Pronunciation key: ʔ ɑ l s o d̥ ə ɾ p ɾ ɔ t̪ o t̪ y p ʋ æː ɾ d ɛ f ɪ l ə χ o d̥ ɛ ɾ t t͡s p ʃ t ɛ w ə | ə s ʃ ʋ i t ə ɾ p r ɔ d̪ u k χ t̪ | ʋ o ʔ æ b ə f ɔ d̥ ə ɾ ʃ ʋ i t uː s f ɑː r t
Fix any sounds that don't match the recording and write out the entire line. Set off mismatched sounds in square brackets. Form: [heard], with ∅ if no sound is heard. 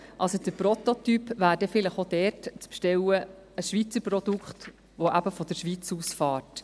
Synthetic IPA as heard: ʔ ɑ l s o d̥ ə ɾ p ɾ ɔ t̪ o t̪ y p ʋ æː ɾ d ɛ f ɪ l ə χ o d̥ ɛ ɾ t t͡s p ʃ t ɛ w ə | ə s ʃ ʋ i [t͡s] ə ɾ p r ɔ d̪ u k χ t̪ | ʋ o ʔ æ b ə f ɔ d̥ ə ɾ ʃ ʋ i [t͡s] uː s f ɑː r t

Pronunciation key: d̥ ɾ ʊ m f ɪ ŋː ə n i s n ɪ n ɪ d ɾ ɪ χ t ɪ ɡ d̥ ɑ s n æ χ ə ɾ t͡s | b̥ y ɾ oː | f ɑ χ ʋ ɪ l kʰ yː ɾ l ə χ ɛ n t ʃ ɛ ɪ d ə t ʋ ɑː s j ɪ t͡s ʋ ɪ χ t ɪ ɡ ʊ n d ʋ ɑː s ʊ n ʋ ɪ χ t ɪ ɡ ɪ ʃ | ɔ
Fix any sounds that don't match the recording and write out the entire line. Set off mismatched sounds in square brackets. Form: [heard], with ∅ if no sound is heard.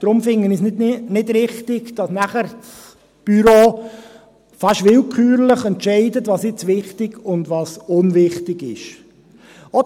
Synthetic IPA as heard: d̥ ɾ ʊ m f ɪ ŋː ə n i s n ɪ n ɪ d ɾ ɪ χ t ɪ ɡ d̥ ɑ s n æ χ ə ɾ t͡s | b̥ y ɾ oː | f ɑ [ʃ] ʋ ɪ l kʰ yː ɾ l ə χ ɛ n t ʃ ɛ ɪ d ə t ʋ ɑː s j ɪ t͡s ʋ ɪ χ t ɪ ɡ ʊ n d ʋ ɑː s ʊ n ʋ ɪ χ t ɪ ɡ ɪ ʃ | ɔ

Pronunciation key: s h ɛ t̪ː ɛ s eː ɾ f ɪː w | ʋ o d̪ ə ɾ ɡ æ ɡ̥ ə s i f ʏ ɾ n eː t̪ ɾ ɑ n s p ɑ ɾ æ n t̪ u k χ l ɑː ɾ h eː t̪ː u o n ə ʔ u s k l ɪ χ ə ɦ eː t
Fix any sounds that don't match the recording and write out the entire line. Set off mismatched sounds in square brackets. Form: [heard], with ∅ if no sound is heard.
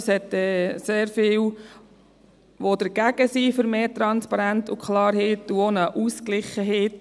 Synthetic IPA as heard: s h ɛ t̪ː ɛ s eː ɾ f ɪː w | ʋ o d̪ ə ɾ ɡ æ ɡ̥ ə s i f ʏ ɾ [m] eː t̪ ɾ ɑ n s p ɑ ɾ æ n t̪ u k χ l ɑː ɾ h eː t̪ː u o n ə ʔ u s k l ɪ χ ə ɦ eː t

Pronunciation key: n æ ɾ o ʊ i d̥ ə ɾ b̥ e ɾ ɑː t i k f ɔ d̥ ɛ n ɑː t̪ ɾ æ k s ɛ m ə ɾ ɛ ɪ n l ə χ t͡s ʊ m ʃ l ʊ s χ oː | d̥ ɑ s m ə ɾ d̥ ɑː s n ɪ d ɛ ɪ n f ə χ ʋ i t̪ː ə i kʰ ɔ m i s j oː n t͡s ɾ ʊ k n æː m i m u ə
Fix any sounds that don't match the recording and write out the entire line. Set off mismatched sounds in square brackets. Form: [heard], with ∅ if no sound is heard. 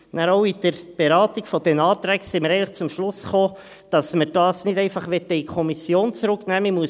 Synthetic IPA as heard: n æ ɾ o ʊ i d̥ ə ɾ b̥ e ɾ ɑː t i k f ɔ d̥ ɛ n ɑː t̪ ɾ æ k s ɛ m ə ɾ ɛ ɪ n l ə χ t͡s ʊ m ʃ l ʊ s χ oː | d̥ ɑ s m ə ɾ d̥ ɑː s n ɪ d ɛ ɪ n f [ɑ] χ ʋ [ɛ] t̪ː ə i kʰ ɔ m i s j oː n t͡s ɾ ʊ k n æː m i m u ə

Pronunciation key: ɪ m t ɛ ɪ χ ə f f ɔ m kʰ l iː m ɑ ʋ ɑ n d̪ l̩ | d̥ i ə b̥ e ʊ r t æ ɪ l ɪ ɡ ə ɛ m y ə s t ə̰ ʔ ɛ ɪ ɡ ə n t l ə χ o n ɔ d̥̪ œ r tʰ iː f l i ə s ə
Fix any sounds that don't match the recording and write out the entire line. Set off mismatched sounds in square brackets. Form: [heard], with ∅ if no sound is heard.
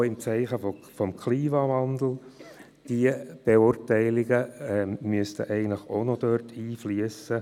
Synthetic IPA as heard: ɪ m [t͡s] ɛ ɪ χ ə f f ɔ m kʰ l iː m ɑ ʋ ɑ n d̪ l̩ | d̥ i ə b̥ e ʊ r t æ ɪ l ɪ ɡ ə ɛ m y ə s t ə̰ ʔ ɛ ɪ ɡ ə n t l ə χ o n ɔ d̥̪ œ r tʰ iː f l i ə s ə

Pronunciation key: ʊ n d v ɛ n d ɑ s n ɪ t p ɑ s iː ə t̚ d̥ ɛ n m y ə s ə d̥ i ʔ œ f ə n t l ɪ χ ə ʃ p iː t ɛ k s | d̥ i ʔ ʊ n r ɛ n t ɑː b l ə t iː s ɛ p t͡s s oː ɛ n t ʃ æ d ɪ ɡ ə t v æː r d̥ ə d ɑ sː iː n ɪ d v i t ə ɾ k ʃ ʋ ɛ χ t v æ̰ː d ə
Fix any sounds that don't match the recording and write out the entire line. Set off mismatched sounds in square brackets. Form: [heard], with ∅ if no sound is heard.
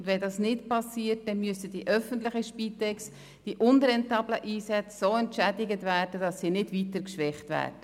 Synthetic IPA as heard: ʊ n d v ɛ n d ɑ s n ɪ t p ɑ s iː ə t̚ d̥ ɛ n m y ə s ə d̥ i ʔ œ f ə n t l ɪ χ ə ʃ p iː t ɛ k s | d̥ i ʔ ʊ n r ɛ n t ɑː b l ə [ʔ] iː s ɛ [∅] t͡s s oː ɛ n t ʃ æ d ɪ ɡ ə t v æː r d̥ ə d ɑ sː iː n ɪ d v i t ə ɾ k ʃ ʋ ɛ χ t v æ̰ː d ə

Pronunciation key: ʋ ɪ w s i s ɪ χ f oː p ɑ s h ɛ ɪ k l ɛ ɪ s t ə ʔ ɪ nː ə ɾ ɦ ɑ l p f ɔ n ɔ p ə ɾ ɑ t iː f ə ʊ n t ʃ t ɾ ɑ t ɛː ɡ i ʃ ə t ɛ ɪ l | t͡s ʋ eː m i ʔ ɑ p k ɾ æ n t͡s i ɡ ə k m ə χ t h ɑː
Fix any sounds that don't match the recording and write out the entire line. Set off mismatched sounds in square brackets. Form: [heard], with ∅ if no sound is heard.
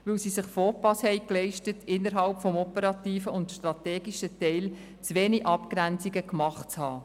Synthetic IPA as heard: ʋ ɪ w s i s ɪ χ f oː p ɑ s h ɛ ɪ k l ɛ ɪ [ʃ] t ə [t] ɪ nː ə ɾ ɦ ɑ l p f ɔ [m] ɔ p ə ɾ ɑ t iː f ə ʊ n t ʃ t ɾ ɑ t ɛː ɡ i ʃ ə t ɛ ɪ l | t͡s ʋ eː [n] i ʔ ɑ p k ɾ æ n t͡s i ɡ ə k m [ɑ] χ [t͡s] h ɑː

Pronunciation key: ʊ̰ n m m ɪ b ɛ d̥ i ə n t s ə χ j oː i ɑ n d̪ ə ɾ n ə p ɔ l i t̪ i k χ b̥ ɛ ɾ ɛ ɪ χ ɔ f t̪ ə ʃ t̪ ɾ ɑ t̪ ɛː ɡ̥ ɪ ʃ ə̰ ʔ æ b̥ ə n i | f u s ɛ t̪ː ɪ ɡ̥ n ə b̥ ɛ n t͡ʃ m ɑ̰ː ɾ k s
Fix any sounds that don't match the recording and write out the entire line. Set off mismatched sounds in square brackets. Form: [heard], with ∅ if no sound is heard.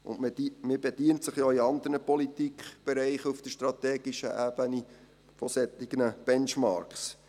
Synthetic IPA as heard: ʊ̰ n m m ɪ b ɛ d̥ i ə n t s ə χ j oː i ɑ n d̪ ə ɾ n ə p ɔ l i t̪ i k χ b̥ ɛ ɾ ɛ ɪ χ [u] f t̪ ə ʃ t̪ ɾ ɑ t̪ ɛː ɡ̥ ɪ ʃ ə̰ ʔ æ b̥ ə n i | f [ɔ] s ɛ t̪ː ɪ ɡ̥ n ə b̥ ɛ n t͡ʃ m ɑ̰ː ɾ k s

